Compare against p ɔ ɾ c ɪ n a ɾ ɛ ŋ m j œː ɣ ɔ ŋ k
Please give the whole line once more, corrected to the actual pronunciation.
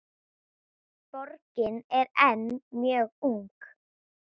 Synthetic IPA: p ɔ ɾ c ɪ n ɛ ɾ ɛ n m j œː ɣ u ŋ k